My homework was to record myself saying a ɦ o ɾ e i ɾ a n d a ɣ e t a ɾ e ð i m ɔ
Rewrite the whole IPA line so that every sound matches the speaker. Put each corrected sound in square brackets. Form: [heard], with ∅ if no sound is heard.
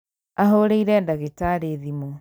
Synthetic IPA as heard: a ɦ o ɾ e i ɾ [ɛ] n d a ɣ e t a ɾ e ð i m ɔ